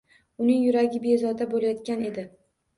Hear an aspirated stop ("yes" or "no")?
no